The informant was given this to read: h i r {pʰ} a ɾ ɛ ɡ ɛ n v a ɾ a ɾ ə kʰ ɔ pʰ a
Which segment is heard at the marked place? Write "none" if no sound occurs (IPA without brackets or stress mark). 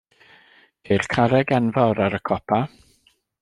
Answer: kʰ